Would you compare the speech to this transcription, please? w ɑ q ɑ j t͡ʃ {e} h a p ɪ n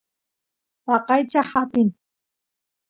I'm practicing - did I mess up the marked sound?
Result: yes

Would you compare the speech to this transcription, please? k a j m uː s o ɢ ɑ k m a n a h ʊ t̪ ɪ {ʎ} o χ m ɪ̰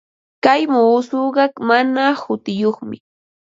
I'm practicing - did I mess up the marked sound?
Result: yes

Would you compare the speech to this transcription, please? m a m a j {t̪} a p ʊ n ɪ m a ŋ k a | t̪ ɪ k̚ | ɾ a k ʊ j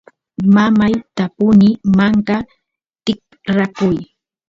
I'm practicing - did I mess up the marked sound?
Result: no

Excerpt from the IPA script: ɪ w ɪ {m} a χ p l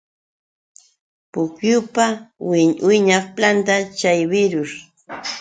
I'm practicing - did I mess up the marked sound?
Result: yes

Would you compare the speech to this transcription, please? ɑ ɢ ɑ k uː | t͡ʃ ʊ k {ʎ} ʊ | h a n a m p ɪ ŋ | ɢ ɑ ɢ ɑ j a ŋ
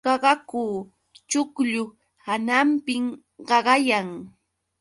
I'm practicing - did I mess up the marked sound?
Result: no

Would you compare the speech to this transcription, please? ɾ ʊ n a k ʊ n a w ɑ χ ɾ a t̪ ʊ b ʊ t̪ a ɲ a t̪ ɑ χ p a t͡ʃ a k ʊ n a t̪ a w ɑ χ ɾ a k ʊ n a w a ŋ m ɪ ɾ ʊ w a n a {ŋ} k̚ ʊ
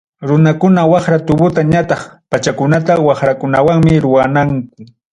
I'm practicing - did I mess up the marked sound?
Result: no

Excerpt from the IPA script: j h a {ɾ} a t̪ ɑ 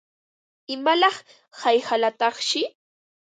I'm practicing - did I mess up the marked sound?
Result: yes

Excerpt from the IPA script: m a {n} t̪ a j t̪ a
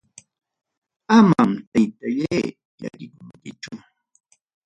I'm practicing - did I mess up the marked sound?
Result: yes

